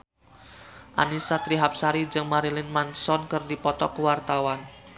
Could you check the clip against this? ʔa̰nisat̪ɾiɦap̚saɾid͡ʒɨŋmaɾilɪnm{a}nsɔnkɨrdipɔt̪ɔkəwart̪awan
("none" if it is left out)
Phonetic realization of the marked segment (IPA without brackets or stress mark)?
a